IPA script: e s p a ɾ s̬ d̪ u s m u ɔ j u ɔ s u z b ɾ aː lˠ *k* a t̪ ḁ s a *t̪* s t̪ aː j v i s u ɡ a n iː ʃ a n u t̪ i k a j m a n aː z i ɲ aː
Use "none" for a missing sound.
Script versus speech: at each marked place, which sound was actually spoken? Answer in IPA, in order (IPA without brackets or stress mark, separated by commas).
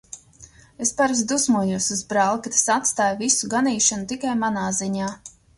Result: k, t̪